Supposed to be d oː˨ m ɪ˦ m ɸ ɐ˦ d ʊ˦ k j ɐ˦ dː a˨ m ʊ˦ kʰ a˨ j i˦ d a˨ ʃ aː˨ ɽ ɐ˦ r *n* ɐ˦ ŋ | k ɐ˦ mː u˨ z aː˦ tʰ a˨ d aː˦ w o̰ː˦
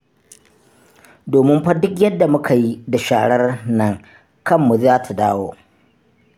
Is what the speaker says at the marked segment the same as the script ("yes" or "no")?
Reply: yes